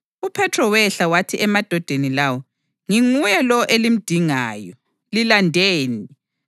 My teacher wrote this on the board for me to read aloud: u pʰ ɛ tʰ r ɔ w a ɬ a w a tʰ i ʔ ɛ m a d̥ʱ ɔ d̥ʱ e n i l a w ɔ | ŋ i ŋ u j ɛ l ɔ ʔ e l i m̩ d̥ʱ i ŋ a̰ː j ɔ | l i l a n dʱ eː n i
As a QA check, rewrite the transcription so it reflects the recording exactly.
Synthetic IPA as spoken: u pʰ ɛ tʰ r ɔ w ɛ ɬ a w a tʰ i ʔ ɛ m a d̥ʱ ɔ d̥ʱ e n i l a w ɔ | ŋ i ŋ u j ɛ l ɔ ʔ e l i m̩ d̥ʱ i ŋ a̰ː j ɔ | l i l a n dʱ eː n i